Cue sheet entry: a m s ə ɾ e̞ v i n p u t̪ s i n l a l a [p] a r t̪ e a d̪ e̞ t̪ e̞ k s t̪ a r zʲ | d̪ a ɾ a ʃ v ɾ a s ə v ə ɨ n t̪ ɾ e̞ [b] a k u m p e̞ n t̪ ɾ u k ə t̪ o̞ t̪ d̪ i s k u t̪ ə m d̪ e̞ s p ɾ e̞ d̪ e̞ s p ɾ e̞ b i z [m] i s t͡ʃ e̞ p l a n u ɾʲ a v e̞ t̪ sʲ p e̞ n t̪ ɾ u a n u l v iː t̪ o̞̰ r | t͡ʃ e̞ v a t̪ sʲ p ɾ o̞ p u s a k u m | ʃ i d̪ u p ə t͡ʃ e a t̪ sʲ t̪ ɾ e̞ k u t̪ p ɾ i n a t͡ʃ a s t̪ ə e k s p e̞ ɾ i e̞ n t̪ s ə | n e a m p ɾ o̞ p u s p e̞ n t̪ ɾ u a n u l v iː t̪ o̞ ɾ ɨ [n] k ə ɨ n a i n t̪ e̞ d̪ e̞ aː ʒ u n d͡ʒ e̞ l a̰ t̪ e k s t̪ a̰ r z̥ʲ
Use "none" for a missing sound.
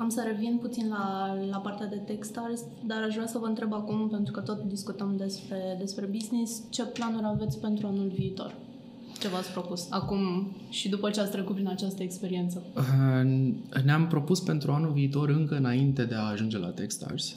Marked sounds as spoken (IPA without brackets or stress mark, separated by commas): p, b, n, ŋ